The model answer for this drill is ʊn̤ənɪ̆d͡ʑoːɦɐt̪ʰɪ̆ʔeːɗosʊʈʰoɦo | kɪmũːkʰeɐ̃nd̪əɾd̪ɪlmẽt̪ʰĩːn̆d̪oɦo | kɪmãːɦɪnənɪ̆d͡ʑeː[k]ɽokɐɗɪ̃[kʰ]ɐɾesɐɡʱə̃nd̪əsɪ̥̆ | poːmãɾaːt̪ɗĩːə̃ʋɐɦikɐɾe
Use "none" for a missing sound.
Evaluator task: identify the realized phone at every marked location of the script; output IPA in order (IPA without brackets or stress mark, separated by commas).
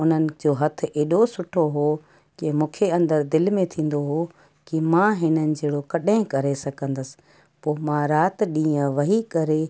none, k